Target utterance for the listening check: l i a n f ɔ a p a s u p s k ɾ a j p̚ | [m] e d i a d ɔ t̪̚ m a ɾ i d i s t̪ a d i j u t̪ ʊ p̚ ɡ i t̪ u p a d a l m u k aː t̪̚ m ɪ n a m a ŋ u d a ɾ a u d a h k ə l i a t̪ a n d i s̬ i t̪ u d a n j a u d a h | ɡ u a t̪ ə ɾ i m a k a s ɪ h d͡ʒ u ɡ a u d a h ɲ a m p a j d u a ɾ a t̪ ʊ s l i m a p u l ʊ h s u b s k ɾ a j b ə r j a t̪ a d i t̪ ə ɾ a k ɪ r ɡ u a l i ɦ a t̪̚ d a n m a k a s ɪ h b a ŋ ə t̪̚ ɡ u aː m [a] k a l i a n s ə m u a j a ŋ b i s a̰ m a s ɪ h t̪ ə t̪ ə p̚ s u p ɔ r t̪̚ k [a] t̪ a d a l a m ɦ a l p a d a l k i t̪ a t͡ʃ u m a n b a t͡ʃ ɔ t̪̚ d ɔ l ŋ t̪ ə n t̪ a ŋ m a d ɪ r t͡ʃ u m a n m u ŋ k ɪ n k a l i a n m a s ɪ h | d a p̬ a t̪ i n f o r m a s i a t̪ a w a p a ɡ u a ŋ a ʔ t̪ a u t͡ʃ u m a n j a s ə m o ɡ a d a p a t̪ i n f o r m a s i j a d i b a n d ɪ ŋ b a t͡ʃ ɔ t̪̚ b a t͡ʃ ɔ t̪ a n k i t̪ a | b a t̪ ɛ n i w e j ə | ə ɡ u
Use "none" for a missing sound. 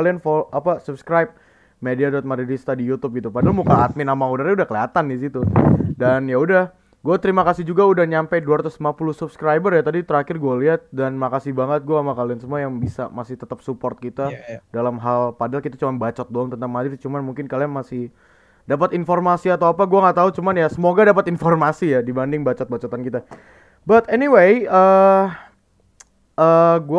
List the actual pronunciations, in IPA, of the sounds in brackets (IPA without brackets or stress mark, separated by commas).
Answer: m, a, i